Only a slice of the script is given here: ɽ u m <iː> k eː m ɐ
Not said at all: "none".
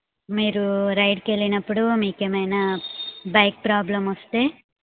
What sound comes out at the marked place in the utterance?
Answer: iː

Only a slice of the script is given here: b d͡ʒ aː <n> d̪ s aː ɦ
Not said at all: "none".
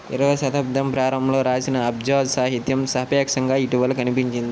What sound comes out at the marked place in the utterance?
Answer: none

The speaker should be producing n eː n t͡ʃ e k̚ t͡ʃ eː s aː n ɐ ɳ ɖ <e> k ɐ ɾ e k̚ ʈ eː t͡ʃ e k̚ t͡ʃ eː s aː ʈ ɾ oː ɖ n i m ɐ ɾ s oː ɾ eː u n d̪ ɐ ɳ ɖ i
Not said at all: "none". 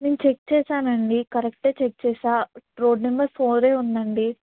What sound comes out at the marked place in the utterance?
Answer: i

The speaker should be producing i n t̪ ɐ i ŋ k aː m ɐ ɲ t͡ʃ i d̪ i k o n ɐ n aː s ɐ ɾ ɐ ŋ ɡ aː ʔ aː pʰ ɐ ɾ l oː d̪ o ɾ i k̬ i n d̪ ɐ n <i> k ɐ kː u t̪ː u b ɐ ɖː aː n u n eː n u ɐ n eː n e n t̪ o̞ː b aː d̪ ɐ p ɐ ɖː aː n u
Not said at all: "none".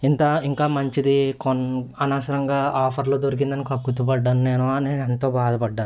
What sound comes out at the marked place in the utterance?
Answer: i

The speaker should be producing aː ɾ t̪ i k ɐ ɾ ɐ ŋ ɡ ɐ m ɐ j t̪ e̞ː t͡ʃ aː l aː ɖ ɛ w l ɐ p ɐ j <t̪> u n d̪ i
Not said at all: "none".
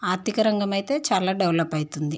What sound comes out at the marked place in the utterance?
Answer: t̪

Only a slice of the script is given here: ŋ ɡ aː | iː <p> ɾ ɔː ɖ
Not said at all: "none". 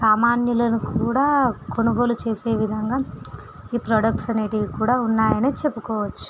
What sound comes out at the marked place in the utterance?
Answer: p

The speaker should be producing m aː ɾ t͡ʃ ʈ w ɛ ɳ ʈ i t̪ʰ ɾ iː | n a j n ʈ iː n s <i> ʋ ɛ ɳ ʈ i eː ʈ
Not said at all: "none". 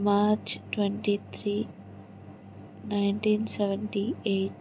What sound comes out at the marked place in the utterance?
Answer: ɛ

